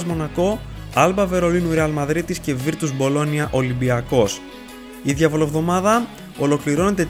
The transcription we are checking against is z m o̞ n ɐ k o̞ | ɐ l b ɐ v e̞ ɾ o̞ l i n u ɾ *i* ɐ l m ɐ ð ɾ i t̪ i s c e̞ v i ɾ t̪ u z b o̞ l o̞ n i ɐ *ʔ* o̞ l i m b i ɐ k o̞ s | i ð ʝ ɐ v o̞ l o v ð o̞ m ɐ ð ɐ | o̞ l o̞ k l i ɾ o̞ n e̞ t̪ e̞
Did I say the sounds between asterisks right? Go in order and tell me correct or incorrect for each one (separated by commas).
incorrect, correct